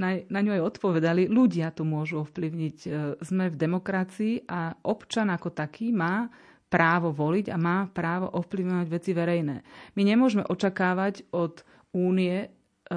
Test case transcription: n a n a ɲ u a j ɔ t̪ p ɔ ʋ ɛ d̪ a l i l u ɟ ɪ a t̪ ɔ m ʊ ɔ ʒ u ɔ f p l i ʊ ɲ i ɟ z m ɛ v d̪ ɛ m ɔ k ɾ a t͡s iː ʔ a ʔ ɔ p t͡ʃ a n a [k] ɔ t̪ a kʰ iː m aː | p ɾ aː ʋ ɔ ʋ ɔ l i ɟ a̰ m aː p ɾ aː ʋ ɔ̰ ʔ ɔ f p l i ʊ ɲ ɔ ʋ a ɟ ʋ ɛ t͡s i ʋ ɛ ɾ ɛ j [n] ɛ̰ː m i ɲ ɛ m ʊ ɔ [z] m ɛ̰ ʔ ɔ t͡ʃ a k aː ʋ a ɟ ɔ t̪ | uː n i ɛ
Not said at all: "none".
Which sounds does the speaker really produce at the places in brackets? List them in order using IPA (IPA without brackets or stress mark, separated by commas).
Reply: k, n, ʒ